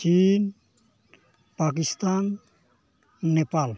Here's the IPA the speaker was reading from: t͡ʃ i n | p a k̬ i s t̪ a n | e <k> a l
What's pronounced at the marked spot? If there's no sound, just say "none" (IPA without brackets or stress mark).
p